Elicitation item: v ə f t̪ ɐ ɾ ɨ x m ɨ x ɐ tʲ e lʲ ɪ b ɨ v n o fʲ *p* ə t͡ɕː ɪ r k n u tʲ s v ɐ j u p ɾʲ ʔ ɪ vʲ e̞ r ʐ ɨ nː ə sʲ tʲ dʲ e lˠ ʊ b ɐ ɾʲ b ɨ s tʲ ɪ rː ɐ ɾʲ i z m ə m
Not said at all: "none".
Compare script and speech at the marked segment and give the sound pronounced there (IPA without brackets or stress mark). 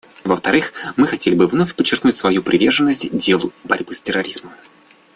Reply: p